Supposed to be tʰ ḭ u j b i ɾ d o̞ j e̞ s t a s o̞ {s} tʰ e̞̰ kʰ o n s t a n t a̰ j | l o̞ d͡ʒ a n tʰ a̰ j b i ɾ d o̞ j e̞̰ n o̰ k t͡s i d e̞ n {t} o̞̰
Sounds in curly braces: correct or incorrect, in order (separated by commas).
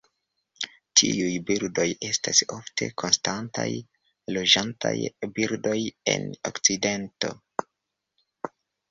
incorrect, correct